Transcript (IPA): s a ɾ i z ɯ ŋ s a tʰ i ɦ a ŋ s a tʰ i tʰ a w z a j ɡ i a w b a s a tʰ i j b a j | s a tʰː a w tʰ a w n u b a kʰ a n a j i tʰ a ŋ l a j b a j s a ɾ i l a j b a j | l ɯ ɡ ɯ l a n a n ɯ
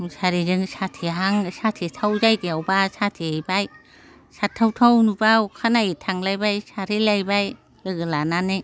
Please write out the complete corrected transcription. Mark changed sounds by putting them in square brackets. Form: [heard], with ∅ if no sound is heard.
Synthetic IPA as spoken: s a ɾ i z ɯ ŋ s a tʰ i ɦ a ŋ s a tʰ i tʰ a w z a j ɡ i a w b a s a tʰ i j b a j | s a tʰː a w tʰ a w n u b a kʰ a n a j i tʰ a ŋ l a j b a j s a ɾ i l a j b a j | l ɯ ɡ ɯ l a n a n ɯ